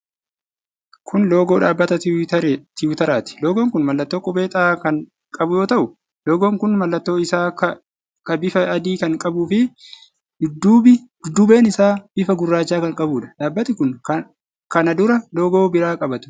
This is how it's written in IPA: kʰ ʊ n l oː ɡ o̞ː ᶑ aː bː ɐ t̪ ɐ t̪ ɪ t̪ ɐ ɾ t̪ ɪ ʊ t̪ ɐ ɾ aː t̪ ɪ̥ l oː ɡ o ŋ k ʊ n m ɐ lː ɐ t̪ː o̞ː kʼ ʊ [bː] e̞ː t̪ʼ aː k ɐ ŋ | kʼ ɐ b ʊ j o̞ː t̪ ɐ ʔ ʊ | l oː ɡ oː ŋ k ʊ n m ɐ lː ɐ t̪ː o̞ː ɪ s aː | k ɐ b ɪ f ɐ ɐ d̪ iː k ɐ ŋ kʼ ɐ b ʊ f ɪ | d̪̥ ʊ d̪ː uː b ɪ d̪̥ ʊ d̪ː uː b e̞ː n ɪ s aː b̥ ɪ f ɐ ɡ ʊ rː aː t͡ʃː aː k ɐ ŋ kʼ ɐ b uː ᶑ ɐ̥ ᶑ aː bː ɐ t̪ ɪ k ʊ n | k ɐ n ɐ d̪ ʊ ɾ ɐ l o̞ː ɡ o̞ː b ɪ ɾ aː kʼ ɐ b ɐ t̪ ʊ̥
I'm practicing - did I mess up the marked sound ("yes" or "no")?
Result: yes